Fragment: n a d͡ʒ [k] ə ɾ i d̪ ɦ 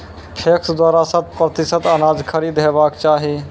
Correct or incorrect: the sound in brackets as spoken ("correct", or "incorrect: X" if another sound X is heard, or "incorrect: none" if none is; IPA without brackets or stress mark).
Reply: incorrect: kʰ